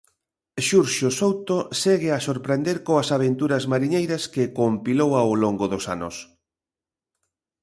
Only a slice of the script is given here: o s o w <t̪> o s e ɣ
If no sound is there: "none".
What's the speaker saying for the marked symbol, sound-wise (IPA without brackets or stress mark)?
t̪